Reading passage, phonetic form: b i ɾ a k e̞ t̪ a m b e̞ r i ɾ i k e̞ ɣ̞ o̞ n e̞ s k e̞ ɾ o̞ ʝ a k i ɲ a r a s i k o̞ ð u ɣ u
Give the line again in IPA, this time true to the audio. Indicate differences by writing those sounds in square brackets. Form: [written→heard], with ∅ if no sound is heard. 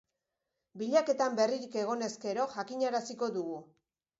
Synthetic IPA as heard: b i [ɾ→ʎ] a k e̞ t̪ a m b e̞ r i ɾ i k e̞ ɣ̞ o̞ n e̞ s k e̞ ɾ o̞ ʝ a k i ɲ a [r→ɾ] a s i k o̞ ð u ɣ u